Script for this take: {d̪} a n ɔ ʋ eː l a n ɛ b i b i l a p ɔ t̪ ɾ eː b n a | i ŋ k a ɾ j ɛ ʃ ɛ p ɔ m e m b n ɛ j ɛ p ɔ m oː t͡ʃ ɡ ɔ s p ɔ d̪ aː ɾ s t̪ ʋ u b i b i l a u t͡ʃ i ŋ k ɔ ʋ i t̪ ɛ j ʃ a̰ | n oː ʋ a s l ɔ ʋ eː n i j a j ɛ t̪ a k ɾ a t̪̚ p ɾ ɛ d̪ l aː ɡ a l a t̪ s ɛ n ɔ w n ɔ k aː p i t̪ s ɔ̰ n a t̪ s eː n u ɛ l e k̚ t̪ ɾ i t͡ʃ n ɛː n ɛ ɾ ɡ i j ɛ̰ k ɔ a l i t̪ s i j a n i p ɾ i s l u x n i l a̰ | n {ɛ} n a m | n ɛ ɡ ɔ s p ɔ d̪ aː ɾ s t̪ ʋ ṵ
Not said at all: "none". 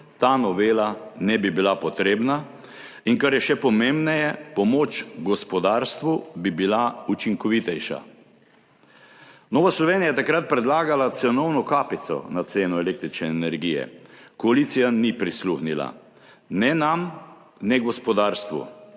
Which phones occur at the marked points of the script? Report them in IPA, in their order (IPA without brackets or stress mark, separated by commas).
t̪, ɛ